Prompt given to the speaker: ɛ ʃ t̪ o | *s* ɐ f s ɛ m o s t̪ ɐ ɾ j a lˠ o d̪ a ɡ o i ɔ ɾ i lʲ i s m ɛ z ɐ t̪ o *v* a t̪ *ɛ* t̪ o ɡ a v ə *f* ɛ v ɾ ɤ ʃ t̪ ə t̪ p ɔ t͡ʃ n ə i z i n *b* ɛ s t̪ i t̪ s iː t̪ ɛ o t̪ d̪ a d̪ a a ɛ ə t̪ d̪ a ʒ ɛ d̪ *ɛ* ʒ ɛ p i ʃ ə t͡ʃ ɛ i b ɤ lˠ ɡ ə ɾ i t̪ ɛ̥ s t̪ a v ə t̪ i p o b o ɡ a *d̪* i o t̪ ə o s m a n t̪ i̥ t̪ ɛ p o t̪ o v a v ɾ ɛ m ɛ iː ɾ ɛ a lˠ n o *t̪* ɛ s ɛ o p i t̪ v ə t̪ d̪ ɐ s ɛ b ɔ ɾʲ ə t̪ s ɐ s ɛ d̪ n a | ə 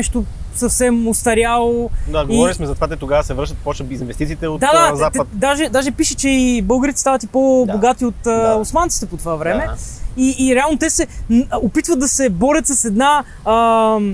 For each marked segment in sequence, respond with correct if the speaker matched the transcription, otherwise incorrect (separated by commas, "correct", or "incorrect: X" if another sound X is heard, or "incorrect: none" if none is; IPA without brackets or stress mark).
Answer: correct, correct, correct, incorrect: s, incorrect: v, incorrect: a, incorrect: t̪, correct